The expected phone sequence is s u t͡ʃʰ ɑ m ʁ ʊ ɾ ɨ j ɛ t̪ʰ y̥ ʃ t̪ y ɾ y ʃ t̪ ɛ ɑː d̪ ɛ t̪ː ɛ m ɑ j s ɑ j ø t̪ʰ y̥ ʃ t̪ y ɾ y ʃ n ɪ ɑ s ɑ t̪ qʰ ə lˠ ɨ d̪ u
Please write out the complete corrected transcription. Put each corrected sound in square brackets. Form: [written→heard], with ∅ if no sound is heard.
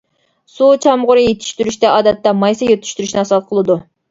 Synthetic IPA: s u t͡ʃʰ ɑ m ʁ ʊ ɾ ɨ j [ɛ→e] t̪ʰ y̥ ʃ t̪ y ɾ y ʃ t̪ ɛ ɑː d̪ ɛ t̪ː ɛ m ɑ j s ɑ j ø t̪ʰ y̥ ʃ t̪ y ɾ y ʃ n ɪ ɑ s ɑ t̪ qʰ ə lˠ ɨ d̪ u